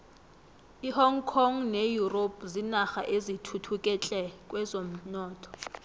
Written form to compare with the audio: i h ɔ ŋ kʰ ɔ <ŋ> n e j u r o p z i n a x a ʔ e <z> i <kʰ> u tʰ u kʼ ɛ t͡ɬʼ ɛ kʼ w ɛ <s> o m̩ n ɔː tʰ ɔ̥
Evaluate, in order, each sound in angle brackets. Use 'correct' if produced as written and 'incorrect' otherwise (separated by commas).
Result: correct, correct, incorrect, incorrect